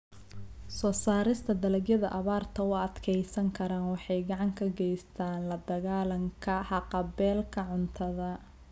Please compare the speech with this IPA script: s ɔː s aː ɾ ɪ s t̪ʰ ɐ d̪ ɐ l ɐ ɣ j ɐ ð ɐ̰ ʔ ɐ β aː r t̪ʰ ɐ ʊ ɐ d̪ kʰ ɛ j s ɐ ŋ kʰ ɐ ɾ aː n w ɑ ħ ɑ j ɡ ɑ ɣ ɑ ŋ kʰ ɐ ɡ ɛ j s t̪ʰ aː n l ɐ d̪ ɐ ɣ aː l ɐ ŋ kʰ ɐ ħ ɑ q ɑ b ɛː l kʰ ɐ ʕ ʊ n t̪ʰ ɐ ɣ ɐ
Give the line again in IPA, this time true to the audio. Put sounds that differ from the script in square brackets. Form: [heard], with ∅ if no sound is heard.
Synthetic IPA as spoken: s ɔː s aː ɾ ɪ s t̪ʰ ɐ d̪ ɐ l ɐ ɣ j ɐ ð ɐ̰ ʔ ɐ β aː r t̪ʰ ɐ ʊ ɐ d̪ kʰ ɛ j s ɐ ŋ kʰ ɐ ɾ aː n w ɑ ħ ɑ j ɡ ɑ [ʕ] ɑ ŋ kʰ ɐ ɡ ɛ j s t̪ʰ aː n l ɐ d̪ ɐ ɣ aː l ɐ ŋ kʰ ɐ ħ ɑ q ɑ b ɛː l kʰ ɐ ʕ ʊ n t̪ʰ ɐ [ð] ɐ